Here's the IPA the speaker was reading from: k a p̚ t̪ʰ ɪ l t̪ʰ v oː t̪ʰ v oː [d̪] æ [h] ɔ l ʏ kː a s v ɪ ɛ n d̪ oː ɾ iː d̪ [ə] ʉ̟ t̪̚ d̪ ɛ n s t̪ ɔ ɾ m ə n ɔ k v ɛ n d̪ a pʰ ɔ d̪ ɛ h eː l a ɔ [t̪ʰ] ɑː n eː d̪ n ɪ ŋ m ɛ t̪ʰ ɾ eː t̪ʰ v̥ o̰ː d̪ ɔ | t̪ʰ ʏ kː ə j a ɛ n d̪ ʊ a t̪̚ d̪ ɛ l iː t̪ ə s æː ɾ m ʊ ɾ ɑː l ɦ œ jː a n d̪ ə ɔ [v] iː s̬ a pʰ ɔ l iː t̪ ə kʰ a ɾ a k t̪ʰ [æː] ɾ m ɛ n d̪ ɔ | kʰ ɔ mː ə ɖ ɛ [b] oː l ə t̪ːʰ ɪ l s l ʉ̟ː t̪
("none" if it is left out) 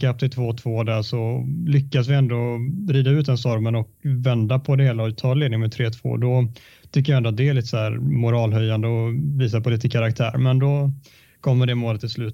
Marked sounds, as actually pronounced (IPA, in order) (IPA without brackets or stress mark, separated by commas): d̪, ʂ, a, t̪ʰ, v, æː, m